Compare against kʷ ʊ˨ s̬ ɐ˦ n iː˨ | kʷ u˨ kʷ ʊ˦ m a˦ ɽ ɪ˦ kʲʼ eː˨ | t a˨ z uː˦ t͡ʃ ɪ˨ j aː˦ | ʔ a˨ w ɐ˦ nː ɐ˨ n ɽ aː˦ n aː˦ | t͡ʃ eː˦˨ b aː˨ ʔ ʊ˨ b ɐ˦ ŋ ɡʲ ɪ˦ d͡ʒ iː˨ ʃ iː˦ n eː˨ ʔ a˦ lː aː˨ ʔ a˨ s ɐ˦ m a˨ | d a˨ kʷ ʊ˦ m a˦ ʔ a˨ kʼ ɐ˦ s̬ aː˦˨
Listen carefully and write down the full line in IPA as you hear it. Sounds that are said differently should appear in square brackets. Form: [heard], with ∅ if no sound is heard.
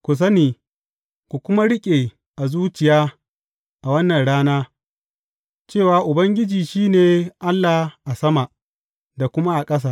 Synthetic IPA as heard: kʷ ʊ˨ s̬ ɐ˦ n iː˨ | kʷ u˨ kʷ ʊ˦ m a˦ ɽ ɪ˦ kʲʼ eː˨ | [ʔ] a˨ z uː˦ t͡ʃ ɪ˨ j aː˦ | ʔ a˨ w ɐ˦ nː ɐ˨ n ɽ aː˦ n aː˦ | t͡ʃ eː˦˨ [w] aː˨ ʔ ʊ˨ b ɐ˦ ŋ ɡʲ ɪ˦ d͡ʒ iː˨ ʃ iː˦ n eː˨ ʔ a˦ lː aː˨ ʔ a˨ s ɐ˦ m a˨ | d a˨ kʷ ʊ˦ m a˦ ʔ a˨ kʼ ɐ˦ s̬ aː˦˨